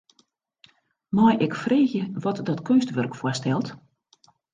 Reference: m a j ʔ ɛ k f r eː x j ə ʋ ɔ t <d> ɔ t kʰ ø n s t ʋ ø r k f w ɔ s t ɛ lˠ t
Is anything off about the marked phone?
no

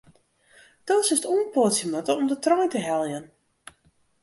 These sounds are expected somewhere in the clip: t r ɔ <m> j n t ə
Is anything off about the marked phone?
yes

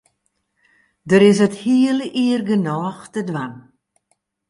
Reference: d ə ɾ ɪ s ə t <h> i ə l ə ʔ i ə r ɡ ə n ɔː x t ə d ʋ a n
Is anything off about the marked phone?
no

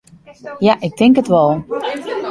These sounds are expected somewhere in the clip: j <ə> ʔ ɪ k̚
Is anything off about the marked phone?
yes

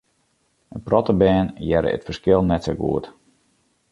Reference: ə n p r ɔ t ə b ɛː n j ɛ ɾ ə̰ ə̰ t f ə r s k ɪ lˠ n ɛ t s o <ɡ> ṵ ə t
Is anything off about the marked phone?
no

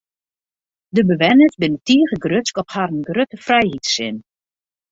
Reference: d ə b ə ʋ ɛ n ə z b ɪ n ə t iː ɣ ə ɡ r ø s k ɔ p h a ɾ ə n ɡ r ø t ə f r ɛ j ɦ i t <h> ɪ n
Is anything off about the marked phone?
yes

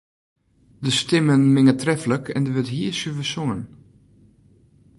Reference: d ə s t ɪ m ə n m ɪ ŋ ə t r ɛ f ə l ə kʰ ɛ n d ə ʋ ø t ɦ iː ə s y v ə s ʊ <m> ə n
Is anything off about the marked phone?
yes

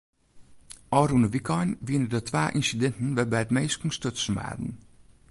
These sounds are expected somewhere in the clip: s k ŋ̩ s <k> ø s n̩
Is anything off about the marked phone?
yes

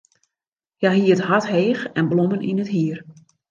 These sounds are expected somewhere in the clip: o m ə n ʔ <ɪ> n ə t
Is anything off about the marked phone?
yes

